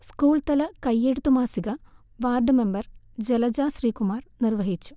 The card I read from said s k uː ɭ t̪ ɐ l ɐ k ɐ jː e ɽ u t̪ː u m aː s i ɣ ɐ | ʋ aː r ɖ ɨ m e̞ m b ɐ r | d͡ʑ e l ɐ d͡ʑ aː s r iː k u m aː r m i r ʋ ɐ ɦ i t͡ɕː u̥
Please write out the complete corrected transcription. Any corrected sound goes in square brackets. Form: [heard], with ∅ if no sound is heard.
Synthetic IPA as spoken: s k uː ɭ t̪ ɐ l ɐ k ɐ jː e ɽ u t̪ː u m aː s i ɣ ɐ | ʋ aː r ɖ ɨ m e̞ m b ɐ r | d͡ʑ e l ɐ d͡ʑ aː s r iː k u m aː r [n] i r ʋ ɐ ɦ i t͡ɕː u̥